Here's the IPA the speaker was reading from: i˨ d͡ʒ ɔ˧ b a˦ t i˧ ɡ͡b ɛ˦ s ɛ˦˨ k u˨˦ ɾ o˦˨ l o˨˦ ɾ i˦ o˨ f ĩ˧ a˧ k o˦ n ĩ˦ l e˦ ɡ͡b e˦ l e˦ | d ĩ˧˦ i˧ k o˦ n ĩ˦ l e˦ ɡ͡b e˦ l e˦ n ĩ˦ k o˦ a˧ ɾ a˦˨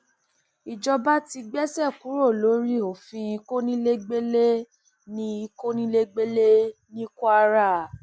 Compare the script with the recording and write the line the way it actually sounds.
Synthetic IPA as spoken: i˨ d͡ʒ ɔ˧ b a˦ t i˧ ɡ͡b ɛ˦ s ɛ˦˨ k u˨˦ ɾ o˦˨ l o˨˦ ɾ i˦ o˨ f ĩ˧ i˧ k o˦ n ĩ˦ l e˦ ɡ͡b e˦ l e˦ | n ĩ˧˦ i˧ k o˦ n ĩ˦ l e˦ ɡ͡b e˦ l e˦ n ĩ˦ k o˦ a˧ ɾ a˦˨

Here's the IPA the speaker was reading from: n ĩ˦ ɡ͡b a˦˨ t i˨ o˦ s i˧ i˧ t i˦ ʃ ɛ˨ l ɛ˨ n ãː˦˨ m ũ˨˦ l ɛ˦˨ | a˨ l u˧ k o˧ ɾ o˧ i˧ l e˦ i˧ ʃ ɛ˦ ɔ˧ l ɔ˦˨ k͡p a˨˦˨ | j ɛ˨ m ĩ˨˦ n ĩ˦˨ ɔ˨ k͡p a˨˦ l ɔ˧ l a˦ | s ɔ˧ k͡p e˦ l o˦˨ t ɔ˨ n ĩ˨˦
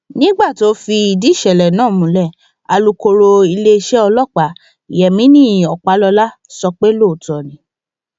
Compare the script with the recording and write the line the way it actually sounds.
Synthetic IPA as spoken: n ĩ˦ ɡ͡b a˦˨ t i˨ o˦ f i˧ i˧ d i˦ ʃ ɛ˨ l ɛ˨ n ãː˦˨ m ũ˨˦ l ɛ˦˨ | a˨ l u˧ k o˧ ɾ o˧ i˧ l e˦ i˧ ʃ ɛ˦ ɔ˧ l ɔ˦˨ k͡p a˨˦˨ | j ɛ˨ m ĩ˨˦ n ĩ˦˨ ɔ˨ k͡p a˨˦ l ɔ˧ l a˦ | s ɔ˧ k͡p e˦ l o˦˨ t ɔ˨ n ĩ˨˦

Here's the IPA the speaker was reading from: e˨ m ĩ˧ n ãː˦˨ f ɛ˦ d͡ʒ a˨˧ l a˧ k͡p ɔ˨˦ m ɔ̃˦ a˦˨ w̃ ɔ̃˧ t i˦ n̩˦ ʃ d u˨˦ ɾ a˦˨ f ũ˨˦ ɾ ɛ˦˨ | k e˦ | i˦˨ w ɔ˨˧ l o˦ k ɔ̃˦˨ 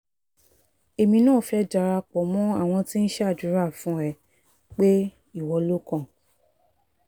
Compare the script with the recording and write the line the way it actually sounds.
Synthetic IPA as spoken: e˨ m ĩ˧ n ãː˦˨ f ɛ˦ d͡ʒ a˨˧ ɾ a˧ k͡p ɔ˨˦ m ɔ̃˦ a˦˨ w̃ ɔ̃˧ t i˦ n̩˦ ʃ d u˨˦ ɾ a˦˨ f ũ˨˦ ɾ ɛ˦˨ | k͡p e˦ | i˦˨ w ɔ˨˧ l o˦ k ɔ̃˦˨

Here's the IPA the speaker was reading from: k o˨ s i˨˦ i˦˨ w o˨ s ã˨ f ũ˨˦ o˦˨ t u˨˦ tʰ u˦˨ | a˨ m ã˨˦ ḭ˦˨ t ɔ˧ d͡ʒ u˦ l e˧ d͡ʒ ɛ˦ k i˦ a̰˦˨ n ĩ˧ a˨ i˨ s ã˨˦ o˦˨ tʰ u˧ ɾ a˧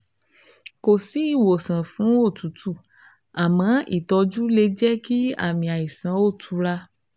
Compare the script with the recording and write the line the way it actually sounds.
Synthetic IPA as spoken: k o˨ s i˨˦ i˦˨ w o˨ s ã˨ f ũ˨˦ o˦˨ t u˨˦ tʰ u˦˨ | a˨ m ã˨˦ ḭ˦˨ t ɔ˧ d͡ʒ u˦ l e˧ d͡ʒ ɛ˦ k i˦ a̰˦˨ m ĩ˧ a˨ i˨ s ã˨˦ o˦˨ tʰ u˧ ɾ a˧

